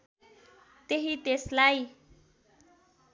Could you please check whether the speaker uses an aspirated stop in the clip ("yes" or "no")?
no